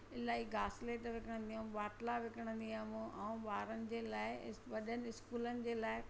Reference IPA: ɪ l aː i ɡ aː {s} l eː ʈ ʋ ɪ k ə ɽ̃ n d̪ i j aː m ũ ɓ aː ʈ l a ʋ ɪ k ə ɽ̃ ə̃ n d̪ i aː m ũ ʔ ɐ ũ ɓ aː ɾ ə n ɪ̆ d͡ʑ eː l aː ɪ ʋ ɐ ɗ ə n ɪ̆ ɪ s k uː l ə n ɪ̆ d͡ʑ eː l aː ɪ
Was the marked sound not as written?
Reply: no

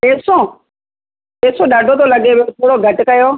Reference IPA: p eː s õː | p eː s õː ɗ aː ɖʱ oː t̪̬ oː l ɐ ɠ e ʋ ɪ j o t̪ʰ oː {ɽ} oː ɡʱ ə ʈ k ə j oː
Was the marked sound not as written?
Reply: no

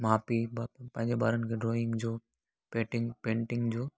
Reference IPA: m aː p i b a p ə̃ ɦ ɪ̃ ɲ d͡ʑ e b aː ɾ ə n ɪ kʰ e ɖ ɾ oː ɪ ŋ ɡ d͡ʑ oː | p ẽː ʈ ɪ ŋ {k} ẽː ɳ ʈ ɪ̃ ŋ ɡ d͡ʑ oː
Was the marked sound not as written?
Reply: yes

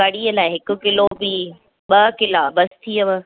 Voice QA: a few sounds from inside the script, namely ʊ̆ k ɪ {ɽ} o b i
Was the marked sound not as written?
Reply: yes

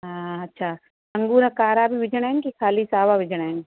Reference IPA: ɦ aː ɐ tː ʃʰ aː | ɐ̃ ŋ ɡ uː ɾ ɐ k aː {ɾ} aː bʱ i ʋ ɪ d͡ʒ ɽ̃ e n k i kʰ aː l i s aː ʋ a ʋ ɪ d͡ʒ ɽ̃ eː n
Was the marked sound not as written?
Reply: no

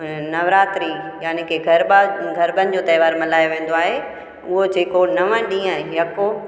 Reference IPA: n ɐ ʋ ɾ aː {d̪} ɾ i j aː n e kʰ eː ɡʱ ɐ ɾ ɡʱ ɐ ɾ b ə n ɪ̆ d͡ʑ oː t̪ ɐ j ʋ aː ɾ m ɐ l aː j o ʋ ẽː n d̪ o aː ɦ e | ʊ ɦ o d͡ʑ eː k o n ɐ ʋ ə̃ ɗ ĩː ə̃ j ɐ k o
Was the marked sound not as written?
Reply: yes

